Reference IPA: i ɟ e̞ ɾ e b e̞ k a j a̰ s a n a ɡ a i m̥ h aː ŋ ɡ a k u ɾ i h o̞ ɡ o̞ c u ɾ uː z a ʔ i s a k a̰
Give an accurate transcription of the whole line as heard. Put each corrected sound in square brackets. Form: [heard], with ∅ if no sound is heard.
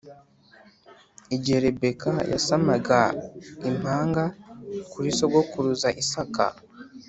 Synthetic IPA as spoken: i ɟ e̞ ɾ e b e̞ k a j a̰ s a [m] a ɡ a i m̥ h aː ŋ ɡ a k u ɾ i [s] o̞ ɡ o̞ [k] u ɾ [u] z a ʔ i s a k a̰